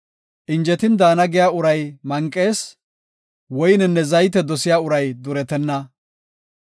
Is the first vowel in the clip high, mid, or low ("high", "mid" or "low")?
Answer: high